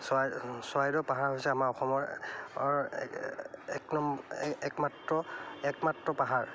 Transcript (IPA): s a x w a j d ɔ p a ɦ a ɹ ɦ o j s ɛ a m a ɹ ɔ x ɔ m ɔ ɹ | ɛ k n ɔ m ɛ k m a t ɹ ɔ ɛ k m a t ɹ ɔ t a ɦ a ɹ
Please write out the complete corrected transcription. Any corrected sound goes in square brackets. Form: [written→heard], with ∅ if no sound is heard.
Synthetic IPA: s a [x→s] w a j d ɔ p a ɦ a ɹ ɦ o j s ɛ a m a ɹ ɔ x ɔ m ɔ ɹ | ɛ k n ɔ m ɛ k m a t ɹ ɔ ɛ k m a t ɹ ɔ [t→p] a ɦ a ɹ